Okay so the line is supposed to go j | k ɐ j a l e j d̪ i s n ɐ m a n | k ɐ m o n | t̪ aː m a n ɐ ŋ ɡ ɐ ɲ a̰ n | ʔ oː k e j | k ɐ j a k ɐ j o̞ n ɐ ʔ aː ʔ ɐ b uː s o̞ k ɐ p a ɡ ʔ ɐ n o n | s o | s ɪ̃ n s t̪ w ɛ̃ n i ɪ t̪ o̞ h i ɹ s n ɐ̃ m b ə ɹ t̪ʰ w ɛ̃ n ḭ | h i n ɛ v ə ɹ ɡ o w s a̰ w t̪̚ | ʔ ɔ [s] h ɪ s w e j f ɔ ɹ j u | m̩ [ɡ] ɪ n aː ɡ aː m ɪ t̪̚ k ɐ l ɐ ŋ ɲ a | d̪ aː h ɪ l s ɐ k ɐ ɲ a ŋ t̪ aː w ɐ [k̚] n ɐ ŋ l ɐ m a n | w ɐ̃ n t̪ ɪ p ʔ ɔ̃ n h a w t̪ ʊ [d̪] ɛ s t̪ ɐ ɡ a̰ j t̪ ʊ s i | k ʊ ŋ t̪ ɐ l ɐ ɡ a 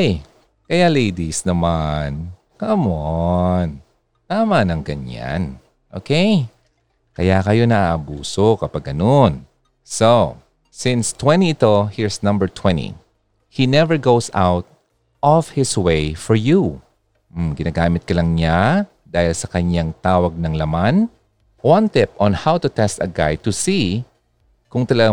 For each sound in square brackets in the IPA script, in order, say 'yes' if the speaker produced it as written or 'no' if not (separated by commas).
no, yes, no, no